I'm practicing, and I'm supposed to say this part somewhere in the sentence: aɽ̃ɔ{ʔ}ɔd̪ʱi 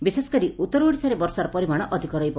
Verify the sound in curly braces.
correct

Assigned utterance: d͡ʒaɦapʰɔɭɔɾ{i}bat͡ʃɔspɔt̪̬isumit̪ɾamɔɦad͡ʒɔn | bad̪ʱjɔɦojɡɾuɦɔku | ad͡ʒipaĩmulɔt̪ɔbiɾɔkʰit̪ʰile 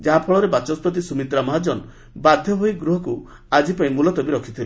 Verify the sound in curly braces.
incorrect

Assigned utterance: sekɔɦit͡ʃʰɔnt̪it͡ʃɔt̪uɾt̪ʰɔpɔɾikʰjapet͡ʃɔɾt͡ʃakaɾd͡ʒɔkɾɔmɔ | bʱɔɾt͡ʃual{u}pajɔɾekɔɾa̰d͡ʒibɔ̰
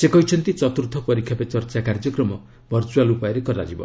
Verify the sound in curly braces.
correct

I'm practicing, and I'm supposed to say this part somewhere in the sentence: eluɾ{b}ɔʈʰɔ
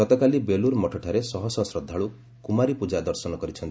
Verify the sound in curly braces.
incorrect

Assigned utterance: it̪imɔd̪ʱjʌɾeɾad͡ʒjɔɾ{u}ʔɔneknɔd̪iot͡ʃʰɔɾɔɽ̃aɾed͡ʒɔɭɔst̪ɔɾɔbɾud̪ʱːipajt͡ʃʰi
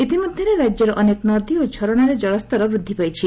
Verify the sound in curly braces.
incorrect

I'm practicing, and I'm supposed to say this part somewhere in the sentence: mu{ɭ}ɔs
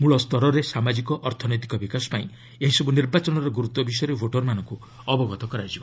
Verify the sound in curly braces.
correct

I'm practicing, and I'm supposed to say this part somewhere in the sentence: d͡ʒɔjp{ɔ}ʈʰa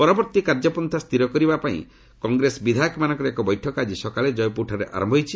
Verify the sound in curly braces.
incorrect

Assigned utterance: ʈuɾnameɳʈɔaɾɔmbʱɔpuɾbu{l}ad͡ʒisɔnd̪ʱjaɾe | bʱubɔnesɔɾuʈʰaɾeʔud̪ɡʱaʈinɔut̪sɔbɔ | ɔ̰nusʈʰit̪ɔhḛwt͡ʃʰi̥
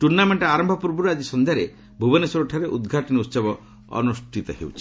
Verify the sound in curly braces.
incorrect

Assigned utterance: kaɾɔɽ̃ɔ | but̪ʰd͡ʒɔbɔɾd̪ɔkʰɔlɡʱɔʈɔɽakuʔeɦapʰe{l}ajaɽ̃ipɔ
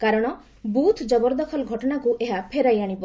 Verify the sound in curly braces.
incorrect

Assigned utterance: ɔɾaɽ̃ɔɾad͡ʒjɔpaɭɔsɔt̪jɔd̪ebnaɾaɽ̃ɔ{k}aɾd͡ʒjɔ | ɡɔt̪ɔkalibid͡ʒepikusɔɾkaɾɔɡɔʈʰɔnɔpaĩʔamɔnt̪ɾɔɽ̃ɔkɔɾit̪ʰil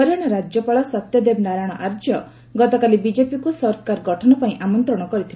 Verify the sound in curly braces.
incorrect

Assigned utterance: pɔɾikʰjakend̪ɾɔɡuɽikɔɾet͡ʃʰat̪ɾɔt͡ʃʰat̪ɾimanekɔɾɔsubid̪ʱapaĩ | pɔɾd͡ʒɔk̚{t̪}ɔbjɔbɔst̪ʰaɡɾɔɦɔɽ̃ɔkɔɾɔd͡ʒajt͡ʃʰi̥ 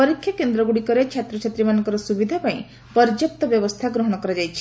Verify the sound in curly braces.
correct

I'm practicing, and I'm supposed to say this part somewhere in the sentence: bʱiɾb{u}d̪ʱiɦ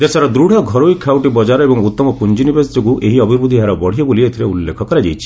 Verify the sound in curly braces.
correct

